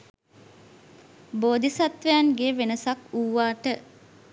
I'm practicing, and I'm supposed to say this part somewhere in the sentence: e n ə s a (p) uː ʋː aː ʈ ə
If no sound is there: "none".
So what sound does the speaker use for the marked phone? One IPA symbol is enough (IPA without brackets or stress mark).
k